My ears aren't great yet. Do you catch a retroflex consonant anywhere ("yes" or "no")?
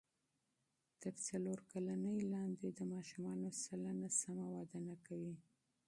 no